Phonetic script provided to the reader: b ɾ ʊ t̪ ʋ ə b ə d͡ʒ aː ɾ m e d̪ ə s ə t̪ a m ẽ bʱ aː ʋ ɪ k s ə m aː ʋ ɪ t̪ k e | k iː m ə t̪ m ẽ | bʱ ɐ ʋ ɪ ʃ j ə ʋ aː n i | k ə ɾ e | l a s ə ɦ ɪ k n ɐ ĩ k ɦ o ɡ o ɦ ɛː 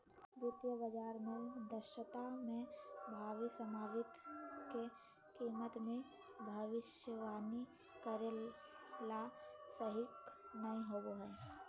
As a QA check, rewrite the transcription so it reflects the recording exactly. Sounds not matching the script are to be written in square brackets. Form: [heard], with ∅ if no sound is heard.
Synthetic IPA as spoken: b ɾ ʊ t̪ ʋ ə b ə d͡ʒ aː ɾ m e d̪ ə [ʃ] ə t̪ a m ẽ bʱ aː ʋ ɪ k s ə m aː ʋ ɪ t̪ k e | k iː m ə t̪ m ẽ | bʱ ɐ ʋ ɪ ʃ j ə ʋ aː n i | k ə ɾ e | l a s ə ɦ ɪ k n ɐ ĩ [∅] ɦ o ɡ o ɦ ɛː